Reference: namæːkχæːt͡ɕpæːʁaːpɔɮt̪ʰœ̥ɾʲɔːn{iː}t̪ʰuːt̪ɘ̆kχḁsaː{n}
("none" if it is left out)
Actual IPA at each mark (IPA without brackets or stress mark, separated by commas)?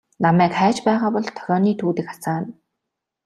iː, n